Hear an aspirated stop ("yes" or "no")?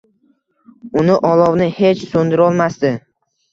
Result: no